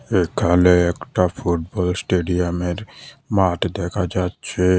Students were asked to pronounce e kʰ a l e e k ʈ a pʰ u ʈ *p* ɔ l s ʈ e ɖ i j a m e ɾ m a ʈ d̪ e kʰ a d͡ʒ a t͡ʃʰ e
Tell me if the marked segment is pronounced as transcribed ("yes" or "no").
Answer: no